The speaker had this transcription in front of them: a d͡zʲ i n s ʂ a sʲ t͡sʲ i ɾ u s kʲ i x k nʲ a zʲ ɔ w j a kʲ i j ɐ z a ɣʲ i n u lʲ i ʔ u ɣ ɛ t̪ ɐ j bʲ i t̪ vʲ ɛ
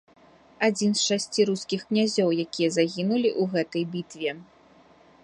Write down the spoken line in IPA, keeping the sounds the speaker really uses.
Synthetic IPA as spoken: a d͡zʲ i n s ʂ a sʲ t͡sʲ i ɾ u s kʲ i x k nʲ a zʲ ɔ w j a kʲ i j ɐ z a ɣʲ i n u lʲ i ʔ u ɣ ɛ t̪ ɐ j bʲ i t̪ vʲ ɛ

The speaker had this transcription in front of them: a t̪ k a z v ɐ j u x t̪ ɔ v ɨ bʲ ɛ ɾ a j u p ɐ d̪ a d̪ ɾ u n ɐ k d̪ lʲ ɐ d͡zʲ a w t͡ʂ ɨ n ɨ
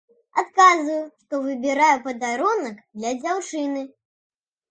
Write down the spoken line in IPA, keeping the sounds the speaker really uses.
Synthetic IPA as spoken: a t̪ k a z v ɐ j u ʂ t̪ ɔ v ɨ bʲ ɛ ɾ a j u p ɐ d̪ a ɾ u n ɐ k d̪ lʲ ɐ d͡zʲ a w t͡ʂ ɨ n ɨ

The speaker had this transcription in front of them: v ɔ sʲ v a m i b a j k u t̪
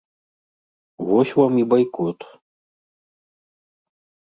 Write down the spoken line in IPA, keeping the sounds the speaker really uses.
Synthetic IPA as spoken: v ɔ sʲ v a m i b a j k ɔ t̪

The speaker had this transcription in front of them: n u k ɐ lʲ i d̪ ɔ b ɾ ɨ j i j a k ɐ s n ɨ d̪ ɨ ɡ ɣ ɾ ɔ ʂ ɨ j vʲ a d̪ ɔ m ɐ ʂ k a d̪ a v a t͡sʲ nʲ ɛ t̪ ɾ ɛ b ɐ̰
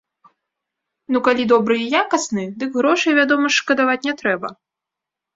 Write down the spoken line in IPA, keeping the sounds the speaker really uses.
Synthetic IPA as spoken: n u k a lʲ i d̪ ɔ b ɾ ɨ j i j a k ɐ s n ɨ d̪ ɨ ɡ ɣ ɾ ɔ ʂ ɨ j vʲ a d̪ ɔ m ɐ ʂ k ɐ d̪ a v a t͡sʲ nʲ ɛ t̪ ɾ ɛ b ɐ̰

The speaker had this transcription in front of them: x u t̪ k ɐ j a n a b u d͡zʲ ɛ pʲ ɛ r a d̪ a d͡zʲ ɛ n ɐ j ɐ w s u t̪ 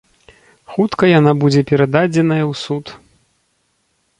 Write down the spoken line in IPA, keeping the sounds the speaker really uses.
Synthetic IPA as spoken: x u t̪ k ɐ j a n a b u d͡zʲ ɛ pʲ ɛ ɾ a d̪ a d͡zʲ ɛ n ɐ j ɐ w s u t̪

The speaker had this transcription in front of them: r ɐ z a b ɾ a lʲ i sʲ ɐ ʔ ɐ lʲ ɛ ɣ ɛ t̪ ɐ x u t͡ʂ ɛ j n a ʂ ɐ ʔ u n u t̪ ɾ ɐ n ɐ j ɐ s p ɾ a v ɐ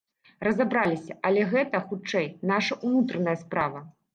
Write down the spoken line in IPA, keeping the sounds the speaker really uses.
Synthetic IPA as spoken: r ɐ z a b ɾ a lʲ i sʲ ɐ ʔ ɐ lʲ ɛ ɣ ɛ t̪ ɐ x u t͡ʂ ɛ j n a ʂ ɐ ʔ u n u t̪ ɾ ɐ n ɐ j ɐ s p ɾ a v ɐ

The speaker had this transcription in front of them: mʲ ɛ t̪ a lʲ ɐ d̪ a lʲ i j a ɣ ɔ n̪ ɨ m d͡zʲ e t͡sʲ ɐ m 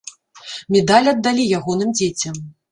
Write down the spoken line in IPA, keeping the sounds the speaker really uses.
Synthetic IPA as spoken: mʲ ɛ d̪ a lʲ ɐ d̪ː a lʲ i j a ɣ ɔ n̪ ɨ m d͡zʲ e t͡sʲ ɐ m

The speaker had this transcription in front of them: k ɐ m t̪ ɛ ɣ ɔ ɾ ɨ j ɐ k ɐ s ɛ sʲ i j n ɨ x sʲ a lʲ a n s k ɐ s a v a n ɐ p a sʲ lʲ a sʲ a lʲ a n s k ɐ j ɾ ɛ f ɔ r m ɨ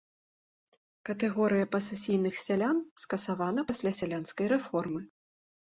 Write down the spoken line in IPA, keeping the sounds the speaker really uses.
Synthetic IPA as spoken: k ɐ t̪ ɛ ɣ ɔ ɾ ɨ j ɐ p ɐ s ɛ sʲ i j n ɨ x sʲ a lʲ a n s k ɐ s a v a n ɐ p a sʲ lʲ a sʲ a lʲ a n s k ɐ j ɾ ɛ f ɔ r m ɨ

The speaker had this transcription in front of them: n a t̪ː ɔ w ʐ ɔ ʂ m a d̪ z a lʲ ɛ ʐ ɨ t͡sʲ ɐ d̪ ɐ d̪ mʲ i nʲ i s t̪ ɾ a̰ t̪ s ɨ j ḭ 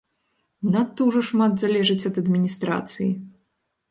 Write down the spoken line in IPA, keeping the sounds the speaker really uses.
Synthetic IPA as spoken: n a t̪ː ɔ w ʐ ɔ ʂ m a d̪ z a lʲ ɛ ʐ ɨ t͡sʲ ɐ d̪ ɐ d̪ mʲ i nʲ i s t̪ ɾ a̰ t̪ s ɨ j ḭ

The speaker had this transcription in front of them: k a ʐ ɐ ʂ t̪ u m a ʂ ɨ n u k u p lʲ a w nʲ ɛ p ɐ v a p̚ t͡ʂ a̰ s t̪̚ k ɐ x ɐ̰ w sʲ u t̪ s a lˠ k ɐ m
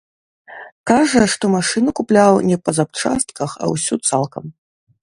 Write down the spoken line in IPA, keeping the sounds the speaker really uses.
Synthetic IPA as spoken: k a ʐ ɐ ʂ t̪ ɔ m a ʂ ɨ n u k u p lʲ a w nʲ ɛ p ɐ z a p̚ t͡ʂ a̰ s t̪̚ k ɐ x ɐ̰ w sʲ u t̪ s a lˠ k ɐ m

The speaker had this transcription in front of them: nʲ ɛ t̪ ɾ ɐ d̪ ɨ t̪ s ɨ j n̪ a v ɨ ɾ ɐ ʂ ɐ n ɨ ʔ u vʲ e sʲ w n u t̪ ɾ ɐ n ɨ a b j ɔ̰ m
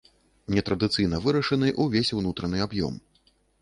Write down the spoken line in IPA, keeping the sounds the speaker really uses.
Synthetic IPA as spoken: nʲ ɛ t̪ ɾ ɐ d̪ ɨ t̪ s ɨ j n̪ ɐ v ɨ ɾ ɐ ʂ ɐ n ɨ ʔ u vʲ e sʲ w n u t̪ ɾ ɐ n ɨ a b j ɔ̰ m

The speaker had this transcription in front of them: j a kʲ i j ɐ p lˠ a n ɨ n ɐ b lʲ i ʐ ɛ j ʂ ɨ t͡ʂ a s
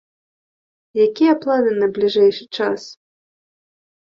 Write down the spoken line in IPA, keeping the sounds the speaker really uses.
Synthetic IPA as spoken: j a kʲ i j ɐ p lˠ a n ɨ n ɐ b lʲ i ʐ ɛ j ʂ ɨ t͡ʂ a s

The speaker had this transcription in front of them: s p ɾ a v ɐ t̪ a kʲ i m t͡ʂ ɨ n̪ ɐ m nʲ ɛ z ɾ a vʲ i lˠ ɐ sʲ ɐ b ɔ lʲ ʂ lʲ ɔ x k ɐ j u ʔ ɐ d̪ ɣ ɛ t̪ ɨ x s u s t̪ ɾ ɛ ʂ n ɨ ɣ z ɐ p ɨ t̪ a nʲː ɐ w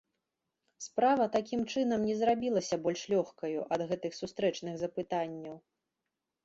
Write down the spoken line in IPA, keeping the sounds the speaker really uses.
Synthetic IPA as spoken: s p ɾ a v ɐ t̪ a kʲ i m t͡ʂ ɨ n̪ ɐ m nʲ ɛ z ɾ a bʲ i lˠ ɐ sʲ ɐ b ɔ lʲ ʂ lʲ ɔ x k ɐ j u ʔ ɐ d̪ ɣ ɛ t̪ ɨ x s u s t̪ ɾ ɛ t͡ʂ n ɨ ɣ z ɐ p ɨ t̪ a nʲː ɐ w

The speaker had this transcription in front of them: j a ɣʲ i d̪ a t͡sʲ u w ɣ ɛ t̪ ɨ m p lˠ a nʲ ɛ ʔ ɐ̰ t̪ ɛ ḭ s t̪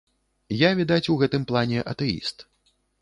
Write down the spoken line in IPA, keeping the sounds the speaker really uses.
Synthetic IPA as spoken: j a vʲ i d̪ a t͡sʲ u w ɣ ɛ t̪ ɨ m p lˠ a nʲ ɛ ʔ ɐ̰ t̪ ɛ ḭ s t̪

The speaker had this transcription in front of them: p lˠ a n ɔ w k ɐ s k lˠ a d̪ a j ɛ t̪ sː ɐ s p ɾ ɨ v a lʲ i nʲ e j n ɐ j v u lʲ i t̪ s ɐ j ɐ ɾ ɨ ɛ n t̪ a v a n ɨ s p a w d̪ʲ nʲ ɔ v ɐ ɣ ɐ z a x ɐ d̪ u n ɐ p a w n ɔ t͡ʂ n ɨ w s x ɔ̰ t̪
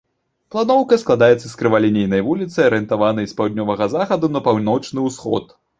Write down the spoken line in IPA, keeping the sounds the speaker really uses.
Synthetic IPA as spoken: p lˠ a n ɔ w k ɐ s k lˠ a d̪ a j ɛ t̪ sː ɐ s k ɾ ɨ v a lʲ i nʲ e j n ɐ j v u lʲ i t̪ s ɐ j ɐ ɾ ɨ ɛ n t̪ a v a n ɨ s p a w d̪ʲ nʲ ɔ v ɐ ɣ ɐ z a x ɐ d̪ u n ɐ p a w n ɔ t͡ʂ n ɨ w s x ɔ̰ t̪

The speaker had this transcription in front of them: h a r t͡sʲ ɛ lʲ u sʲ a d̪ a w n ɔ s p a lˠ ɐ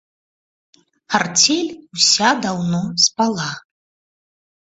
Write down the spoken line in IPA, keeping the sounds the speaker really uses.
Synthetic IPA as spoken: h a r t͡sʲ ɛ lʲ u sʲ a d̪ a w n ɔ s p a lˠ a

